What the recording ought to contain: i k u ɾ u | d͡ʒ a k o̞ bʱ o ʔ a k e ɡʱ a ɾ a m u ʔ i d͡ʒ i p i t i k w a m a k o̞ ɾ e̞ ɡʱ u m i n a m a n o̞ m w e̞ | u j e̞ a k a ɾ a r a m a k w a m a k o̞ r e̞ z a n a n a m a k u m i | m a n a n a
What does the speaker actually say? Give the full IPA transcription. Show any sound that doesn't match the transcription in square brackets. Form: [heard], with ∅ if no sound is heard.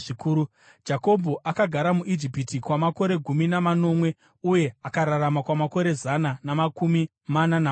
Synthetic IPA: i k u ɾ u | d͡ʒ a k o̞ bʱ o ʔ a k [a] ɡʱ a ɾ a m u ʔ i d͡ʒ i p i t i k w a m a k o̞ ɾ e̞ ɡʱ u m i n a m a n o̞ m w e̞ | u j e̞ a k a ɾ a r a m a k w a m a k o̞ [ɾ] e̞ z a n a n a m a k u m i | m a n a n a